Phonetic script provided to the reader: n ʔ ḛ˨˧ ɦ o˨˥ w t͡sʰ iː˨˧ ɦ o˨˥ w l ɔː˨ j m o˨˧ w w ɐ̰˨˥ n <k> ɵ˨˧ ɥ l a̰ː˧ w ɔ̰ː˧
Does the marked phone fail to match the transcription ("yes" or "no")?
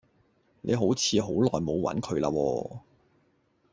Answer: yes